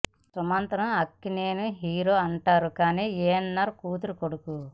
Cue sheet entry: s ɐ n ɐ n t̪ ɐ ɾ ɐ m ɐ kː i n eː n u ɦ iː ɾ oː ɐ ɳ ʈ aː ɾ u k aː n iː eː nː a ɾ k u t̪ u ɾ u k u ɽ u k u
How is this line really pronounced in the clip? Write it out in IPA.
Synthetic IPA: s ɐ m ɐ n t̪ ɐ ɾ ɐ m ɐ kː i n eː n u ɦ iː ɾ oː ɐ ɳ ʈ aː ɾ u k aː n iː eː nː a ɾ k uː t̪ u ɾ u k o ɽ u k u